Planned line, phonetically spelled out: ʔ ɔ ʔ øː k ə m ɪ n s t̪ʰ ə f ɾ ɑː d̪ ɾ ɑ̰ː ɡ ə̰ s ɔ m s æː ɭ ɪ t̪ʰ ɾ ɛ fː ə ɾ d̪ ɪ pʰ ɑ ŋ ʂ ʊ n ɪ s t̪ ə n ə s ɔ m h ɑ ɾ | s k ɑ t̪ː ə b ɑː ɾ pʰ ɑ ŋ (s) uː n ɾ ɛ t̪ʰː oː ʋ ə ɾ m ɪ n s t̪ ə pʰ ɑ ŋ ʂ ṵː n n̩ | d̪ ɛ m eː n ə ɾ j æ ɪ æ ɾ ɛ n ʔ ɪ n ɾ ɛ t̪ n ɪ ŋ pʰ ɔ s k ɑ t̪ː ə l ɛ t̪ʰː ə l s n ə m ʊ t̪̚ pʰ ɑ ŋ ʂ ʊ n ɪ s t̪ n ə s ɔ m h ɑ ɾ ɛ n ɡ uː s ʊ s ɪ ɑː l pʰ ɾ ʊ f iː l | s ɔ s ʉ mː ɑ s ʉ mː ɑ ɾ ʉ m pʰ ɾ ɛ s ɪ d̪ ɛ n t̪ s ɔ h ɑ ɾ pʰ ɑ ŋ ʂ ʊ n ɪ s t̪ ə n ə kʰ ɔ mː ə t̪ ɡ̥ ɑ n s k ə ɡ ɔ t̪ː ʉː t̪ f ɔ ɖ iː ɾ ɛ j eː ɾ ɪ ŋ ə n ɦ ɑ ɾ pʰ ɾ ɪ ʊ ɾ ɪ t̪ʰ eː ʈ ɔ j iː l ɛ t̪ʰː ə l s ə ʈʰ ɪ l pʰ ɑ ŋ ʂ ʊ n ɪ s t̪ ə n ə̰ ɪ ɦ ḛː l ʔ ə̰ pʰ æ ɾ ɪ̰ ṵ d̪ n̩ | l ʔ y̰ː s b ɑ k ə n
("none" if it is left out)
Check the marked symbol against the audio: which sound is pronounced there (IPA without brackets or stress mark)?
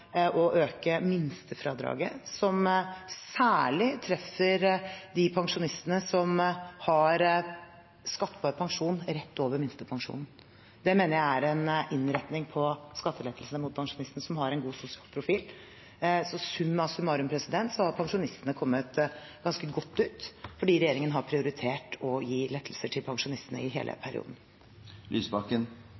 ʂ